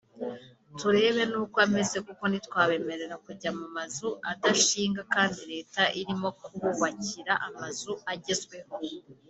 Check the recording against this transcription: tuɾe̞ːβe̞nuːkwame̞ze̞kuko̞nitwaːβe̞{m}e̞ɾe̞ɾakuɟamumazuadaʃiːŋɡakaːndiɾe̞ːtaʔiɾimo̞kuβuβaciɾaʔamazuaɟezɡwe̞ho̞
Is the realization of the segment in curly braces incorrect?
no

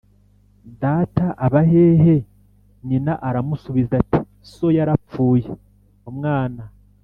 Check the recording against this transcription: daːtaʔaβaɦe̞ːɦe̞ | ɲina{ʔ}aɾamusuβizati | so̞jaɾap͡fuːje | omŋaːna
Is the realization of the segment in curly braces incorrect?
no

